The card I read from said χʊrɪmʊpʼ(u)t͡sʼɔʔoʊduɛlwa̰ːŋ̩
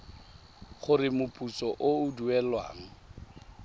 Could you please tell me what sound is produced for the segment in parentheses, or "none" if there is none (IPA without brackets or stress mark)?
u